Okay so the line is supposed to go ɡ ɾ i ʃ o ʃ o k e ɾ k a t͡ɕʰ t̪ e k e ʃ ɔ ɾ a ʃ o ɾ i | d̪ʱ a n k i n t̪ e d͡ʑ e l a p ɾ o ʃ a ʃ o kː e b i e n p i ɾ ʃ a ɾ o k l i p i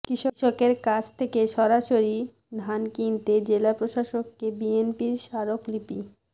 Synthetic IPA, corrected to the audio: k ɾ i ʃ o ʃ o k e ɾ k a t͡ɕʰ t̪ʰ e k e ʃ ɔ ɾ a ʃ o ɾ i | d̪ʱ a n k i n t̪ e d͡ʑ e l a p ɾ o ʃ a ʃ o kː e b i e n p i ɾ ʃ a ɾ o k l i p i